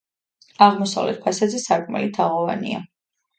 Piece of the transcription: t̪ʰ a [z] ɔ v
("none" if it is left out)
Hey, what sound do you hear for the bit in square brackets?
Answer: ʁ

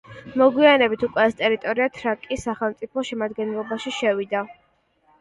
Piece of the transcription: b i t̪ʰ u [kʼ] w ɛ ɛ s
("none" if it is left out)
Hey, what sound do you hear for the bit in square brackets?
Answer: kʼ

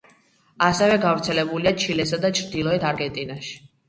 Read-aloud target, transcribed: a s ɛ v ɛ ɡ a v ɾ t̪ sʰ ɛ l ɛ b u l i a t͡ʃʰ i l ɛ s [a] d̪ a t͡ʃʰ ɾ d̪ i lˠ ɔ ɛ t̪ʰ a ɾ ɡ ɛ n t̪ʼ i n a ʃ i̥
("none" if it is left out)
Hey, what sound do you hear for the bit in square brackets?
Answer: a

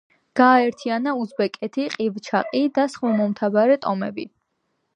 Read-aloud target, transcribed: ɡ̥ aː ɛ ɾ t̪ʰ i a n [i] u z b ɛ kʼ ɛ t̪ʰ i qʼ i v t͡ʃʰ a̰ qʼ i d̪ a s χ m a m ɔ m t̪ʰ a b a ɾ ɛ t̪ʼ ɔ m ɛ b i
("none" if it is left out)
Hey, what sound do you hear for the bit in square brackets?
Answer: a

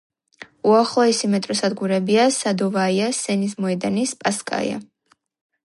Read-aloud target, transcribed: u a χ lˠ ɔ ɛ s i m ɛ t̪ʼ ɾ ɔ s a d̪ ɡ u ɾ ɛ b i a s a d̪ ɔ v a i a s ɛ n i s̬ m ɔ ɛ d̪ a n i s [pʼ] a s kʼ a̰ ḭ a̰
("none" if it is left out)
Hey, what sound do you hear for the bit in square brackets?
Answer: pʼ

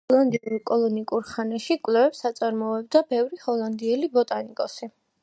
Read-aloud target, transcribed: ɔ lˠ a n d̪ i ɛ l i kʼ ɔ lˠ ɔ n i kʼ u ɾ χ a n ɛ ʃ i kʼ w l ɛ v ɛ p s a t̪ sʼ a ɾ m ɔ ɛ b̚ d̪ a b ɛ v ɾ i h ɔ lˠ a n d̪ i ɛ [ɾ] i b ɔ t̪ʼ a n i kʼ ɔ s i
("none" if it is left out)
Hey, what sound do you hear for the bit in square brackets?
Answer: l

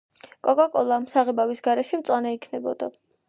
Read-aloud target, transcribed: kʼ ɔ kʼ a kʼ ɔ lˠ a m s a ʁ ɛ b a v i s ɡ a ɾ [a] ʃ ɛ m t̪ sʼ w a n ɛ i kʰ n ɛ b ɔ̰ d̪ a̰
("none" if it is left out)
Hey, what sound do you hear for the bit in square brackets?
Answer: ɛ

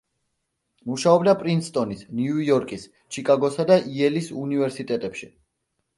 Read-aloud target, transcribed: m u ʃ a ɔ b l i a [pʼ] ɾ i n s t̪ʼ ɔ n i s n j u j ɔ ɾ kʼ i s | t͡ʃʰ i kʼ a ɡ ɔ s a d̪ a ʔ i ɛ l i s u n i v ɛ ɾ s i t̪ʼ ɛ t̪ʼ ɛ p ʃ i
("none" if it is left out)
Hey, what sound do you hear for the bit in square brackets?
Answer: pʼ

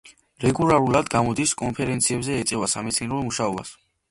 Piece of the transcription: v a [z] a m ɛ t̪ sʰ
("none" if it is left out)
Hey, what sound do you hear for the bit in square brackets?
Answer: s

